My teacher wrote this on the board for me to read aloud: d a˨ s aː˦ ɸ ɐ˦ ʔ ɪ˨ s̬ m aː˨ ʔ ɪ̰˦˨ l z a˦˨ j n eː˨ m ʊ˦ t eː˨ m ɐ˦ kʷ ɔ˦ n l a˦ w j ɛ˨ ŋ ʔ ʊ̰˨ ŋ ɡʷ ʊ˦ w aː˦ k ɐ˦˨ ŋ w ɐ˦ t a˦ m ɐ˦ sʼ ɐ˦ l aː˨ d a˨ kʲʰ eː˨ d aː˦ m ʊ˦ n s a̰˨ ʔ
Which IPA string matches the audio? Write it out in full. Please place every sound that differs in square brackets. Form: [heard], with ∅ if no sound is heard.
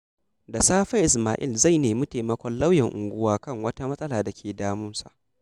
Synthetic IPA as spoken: d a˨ s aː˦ ɸ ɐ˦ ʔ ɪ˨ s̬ m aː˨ ʔ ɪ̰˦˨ l z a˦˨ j n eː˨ m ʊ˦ t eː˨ m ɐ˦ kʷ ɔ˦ n l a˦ w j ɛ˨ ŋ ʔ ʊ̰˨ ŋ ɡʷ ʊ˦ w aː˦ k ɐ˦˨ ŋ w ɐ˦ t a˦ m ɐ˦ sʼ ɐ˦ l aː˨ d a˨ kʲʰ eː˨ d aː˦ m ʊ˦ n s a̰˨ ʔ